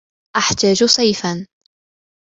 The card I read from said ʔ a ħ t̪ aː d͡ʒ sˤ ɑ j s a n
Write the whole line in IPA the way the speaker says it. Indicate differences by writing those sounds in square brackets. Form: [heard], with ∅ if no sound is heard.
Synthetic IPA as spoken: ʔ a ħ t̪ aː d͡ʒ sˤ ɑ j [f] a n